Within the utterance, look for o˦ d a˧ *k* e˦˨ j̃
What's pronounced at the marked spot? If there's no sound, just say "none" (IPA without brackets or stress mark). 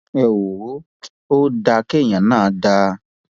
k